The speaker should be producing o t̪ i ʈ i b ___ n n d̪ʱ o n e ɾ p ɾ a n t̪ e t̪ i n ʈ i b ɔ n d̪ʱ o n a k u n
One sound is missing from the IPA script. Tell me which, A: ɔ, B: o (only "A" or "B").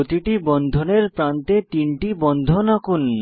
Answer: A